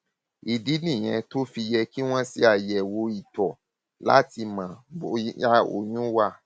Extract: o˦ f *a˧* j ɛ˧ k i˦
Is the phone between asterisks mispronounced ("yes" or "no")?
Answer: yes